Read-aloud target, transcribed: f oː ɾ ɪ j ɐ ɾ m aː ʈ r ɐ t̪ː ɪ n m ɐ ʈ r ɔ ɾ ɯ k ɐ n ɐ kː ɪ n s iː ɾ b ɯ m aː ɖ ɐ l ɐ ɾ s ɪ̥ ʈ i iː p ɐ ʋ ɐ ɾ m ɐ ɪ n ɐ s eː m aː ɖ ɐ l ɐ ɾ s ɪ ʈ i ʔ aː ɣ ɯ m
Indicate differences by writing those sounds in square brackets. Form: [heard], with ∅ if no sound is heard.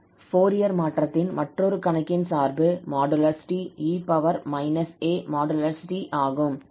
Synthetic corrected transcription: f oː ɾ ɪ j ɐ ɾ m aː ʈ r ɐ t̪ː ɪ n m ɐ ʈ r ɔ ɾ ɯ k ɐ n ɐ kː ɪ n s [aː] ɾ b ɯ m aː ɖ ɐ l ɐ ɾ s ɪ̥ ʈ i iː p ɐ ʋ ɐ ɾ m ɐ ɪ n ɐ s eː m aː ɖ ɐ l ɐ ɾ s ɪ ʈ i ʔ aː ɣ ɯ m

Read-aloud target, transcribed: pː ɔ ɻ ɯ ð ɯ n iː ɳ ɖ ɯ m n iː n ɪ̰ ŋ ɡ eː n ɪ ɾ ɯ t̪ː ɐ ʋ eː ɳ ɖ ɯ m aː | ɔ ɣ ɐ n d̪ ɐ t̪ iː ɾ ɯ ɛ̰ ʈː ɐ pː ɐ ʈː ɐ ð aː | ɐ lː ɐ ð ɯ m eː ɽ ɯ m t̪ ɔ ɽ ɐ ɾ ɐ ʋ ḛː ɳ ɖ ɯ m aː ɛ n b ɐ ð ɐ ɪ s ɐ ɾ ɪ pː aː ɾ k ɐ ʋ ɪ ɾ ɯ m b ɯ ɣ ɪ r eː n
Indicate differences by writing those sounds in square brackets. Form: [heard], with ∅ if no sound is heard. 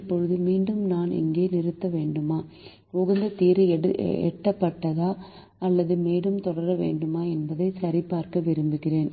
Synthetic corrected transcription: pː ɔ ɻ ɯ ð ɯ [m] iː ɳ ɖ ɯ m n [aː] n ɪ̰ ŋ ɡ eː n ɪ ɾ ɯ t̪ː ɐ ʋ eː ɳ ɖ ɯ m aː | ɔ ɣ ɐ n d̪ ɐ t̪ iː ɾ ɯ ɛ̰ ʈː ɐ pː ɐ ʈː ɐ ð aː | ɐ lː ɐ ð ɯ m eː ɽ ɯ m t̪ ɔ ɽ ɐ ɾ ɐ ʋ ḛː ɳ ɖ ɯ m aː ɛ n b ɐ ð ɐ ɪ s ɐ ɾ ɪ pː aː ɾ k ɐ ʋ ɪ ɾ ɯ m b ɯ ɣ ɪ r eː n

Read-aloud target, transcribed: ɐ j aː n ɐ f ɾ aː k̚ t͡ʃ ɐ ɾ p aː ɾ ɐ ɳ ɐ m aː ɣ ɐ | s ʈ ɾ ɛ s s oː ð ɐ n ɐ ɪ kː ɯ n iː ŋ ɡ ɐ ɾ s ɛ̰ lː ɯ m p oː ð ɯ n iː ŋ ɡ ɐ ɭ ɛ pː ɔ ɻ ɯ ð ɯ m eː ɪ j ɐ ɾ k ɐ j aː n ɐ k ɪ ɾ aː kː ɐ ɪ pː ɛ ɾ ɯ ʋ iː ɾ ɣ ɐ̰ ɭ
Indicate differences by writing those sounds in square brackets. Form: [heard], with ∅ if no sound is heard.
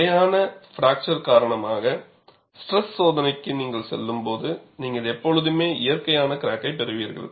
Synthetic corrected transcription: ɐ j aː n ɐ f ɾ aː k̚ t͡ʃ ɐ ɾ [k] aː ɾ ɐ ɳ ɐ m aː ɣ ɐ | s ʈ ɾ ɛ s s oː ð ɐ n ɐ ɪ kː ɯ n iː ŋ ɡ ɐ [ɭ] s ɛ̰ lː ɯ m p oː ð ɯ n iː ŋ ɡ ɐ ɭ ɛ pː ɔ ɻ ɯ ð ɯ m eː ɪ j ɐ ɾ k ɐ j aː n ɐ k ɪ ɾ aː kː ɐ ɪ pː ɛ ɾ ɯ ʋ iː ɾ ɣ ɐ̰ ɭ

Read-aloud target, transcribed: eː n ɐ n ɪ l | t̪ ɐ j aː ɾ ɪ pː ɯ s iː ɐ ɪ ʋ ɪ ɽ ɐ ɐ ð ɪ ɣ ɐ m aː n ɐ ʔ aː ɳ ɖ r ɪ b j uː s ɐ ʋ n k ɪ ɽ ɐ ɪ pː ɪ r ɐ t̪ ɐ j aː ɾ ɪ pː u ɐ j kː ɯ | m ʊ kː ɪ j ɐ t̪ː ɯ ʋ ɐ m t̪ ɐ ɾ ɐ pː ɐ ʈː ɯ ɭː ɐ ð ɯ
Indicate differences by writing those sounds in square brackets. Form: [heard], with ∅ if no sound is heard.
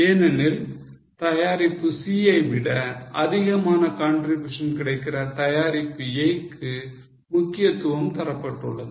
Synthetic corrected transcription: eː n ɐ n ɪ l | t̪ ɐ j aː ɾ ɪ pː ɯ s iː ɐ ɪ ʋ ɪ ɽ ɐ ɐ ð ɪ ɣ ɐ m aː n ɐ [k] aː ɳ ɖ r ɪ b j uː [ʂ] ɐ [∅] n k ɪ ɽ ɐ ɪ [kː] ɪ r ɐ t̪ ɐ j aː ɾ ɪ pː [ɯ] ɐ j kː ɯ | m ʊ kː ɪ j ɐ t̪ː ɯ ʋ ɐ m t̪ ɐ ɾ ɐ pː ɐ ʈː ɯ ɭː ɐ ð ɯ

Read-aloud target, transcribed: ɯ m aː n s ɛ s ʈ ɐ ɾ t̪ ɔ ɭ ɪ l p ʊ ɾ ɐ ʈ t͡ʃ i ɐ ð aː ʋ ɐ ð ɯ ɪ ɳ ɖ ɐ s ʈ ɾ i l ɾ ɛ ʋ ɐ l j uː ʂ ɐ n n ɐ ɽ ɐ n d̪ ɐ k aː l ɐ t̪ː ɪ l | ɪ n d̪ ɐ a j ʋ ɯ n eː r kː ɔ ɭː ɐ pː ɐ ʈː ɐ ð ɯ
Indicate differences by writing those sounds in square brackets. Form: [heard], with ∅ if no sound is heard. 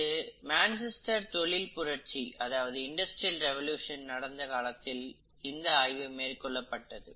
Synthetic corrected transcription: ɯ m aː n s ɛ s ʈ ɐ ɾ t̪ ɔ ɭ ɪ l p ʊ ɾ ɐ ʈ t͡ʃ i ɐ ð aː ʋ ɐ ð ɯ ɪ ɳ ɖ ɐ s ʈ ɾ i l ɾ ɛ ʋ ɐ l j uː ʂ ɐ n n ɐ ɽ ɐ n d̪ ɐ k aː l ɐ t̪ː ɪ l | ɪ n d̪ ɐ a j ʋ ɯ [m] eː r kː ɔ ɭː ɐ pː ɐ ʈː ɐ ð ɯ

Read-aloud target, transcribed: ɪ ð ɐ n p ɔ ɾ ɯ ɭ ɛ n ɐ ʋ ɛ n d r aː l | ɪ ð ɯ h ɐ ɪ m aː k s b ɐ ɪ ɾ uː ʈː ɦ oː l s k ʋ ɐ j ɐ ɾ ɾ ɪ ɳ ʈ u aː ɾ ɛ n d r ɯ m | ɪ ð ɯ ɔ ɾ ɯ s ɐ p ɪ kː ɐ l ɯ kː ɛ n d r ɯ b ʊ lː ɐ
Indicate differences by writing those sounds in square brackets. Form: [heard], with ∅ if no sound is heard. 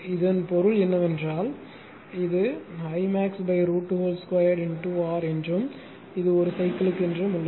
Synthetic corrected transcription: ɪ ð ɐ n p ɔ ɾ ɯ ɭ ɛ [nː] ɐ ʋ ɛ n d r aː l | ɪ ð ɯ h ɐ ɪ m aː k s b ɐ ɪ ɾ uː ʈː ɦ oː l s k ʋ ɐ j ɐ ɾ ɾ ɪ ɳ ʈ u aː ɾ ɛ n d r ɯ m | ɪ ð ɯ ɔ ɾ ɯ s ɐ [∅] ɪ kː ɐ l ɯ kː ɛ n d r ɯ [m] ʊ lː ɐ

